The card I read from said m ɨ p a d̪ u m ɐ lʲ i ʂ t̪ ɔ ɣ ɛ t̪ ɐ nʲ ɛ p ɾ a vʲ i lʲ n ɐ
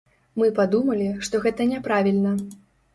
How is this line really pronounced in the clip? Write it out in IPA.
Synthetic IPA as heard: m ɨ p a d̪ u m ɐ lʲ i ʂ t̪ ɔ ɣ ɛ t̪ ɐ nʲ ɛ p ɾ a vʲ i lʲ n ɐ